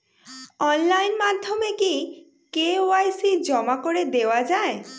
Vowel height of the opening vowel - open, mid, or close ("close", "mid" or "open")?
mid